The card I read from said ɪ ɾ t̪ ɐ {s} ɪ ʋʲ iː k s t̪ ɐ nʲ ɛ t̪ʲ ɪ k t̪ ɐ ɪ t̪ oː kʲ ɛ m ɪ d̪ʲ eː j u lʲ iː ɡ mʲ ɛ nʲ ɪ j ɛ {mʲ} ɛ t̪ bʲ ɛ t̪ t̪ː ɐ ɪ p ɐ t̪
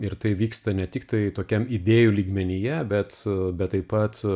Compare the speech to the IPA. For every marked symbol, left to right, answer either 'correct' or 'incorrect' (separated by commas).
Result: incorrect, incorrect